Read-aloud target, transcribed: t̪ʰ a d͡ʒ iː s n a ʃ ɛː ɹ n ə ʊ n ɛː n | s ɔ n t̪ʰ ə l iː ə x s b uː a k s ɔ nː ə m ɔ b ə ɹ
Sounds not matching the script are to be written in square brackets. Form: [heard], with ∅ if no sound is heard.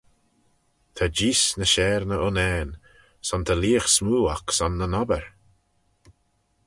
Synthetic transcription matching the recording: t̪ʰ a d͡ʒ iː s n [ə] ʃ ɛː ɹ n ə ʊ n ɛː n | s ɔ n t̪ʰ ə l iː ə x s [m] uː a k s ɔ nː ə [n] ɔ b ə ɹ